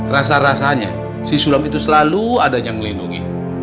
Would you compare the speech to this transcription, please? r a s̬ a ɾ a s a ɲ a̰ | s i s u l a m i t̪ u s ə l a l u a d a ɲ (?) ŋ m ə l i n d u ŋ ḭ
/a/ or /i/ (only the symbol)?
a